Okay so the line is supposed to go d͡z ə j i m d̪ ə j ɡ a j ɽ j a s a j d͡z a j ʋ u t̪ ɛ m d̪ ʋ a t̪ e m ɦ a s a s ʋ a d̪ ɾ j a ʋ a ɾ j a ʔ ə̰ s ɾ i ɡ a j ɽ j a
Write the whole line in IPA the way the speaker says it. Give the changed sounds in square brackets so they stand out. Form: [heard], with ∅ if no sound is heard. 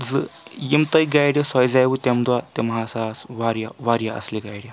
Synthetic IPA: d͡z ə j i m [t̪] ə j ɡ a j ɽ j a s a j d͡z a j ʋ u t̪ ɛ m d̪ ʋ a t̪ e m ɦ a s a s ʋ a [∅] ɾ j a ʋ a ɾ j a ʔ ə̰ s [l] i ɡ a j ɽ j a